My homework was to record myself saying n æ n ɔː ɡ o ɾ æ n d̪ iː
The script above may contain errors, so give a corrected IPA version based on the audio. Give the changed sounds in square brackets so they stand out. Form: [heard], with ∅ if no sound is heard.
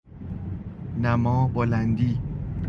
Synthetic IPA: n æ [m] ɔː [b] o [l] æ n d̪ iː